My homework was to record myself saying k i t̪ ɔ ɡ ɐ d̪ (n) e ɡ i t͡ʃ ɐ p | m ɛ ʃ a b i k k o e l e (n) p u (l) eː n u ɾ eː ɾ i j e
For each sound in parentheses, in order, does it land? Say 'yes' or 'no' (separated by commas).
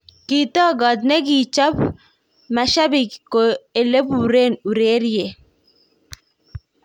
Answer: yes, no, no